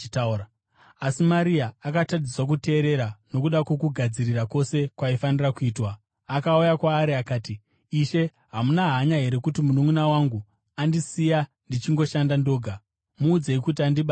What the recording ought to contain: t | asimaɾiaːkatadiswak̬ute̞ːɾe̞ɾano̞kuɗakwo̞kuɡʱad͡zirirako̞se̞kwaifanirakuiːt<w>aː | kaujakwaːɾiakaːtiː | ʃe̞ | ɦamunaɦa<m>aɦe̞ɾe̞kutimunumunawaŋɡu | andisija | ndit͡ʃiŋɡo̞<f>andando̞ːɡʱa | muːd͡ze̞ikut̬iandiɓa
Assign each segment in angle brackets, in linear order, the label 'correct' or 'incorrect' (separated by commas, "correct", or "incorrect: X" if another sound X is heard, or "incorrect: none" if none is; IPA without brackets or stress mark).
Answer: correct, incorrect: ɲ, incorrect: ʃ